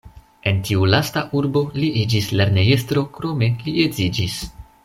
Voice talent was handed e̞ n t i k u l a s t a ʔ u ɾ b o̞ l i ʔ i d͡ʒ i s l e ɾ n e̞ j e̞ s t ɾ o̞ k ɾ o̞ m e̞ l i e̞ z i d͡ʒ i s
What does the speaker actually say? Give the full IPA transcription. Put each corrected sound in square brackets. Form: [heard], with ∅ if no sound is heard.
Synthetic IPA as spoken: e̞ n t i [∅] u l a s t a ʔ u ɾ b o̞ l i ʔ i d͡ʒ i s l e ɾ n e̞ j e̞ s t ɾ o̞ k ɾ o̞ m e̞ l i e̞ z i d͡ʒ i s